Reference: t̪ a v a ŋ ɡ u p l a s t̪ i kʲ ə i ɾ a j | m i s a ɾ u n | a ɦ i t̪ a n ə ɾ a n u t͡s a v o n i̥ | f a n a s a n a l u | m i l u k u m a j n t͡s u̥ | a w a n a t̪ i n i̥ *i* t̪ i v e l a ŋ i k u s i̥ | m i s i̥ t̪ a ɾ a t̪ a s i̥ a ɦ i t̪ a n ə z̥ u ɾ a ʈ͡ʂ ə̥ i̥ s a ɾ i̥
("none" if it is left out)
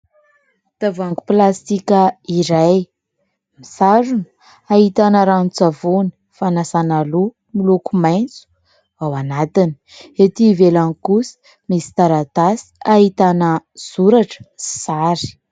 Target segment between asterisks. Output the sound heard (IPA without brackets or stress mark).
e